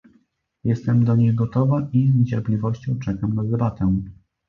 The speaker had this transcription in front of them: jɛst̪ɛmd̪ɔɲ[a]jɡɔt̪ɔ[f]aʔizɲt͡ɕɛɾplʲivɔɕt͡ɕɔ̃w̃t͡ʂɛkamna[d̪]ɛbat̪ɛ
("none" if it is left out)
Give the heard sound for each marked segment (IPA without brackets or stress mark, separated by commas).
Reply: e, v, d̪